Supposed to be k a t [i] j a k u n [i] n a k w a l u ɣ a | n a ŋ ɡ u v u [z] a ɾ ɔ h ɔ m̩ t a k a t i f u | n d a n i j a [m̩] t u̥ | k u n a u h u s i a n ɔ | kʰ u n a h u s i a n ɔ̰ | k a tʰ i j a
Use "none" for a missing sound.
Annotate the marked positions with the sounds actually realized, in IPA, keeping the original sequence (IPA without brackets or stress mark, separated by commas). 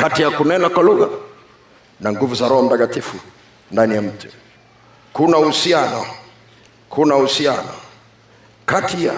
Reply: i, ɛ, z, m̩